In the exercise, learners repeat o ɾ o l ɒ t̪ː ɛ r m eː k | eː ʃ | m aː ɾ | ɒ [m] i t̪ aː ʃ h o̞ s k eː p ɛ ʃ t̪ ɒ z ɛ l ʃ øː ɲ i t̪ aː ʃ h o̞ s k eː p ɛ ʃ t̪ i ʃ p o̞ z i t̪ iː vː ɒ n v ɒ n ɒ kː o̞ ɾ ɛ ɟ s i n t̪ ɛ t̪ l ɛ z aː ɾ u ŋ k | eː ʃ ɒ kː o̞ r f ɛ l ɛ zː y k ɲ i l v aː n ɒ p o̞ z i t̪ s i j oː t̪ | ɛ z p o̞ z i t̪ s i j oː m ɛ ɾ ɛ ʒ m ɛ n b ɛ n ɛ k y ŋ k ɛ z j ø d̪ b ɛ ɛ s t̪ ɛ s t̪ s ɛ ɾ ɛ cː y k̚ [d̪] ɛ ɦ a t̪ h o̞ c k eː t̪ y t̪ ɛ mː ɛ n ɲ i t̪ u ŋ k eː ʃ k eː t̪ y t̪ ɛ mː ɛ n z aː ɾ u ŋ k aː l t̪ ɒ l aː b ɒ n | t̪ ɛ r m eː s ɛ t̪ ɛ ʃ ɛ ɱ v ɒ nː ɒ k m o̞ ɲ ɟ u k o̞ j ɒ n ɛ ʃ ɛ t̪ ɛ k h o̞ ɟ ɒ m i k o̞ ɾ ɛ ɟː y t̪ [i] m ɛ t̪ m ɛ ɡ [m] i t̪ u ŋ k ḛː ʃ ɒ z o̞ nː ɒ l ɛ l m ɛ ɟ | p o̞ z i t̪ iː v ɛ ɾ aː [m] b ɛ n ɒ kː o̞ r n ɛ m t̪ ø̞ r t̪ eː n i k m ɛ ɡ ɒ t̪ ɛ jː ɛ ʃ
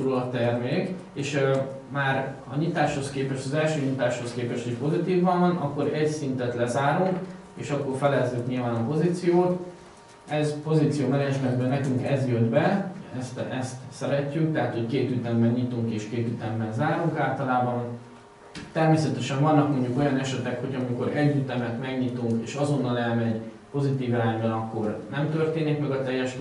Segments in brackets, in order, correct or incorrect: incorrect, incorrect, incorrect, incorrect, incorrect

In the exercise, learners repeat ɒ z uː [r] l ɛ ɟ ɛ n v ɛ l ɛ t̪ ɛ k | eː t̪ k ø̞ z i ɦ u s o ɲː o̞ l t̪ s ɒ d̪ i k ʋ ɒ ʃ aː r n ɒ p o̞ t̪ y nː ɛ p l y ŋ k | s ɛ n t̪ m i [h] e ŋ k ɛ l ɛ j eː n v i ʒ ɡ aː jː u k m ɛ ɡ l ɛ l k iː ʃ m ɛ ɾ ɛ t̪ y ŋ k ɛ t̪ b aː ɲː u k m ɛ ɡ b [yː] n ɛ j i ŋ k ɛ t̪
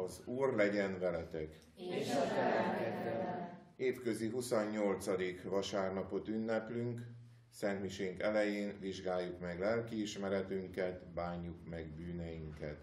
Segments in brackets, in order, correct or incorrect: correct, incorrect, correct

